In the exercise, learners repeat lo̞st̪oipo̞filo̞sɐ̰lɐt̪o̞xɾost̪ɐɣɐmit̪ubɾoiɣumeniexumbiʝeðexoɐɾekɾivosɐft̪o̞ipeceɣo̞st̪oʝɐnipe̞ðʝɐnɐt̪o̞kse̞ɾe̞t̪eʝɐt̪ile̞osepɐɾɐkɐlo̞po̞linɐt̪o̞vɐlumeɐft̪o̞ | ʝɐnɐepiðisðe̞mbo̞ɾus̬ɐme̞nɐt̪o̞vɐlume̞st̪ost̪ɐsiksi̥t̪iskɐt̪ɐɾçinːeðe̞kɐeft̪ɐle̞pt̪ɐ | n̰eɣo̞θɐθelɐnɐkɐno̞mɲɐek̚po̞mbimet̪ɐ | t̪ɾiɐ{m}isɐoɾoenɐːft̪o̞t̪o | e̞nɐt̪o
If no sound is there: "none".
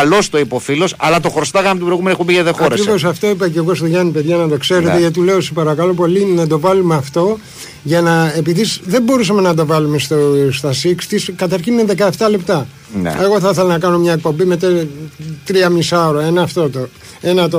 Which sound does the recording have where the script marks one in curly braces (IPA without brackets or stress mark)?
m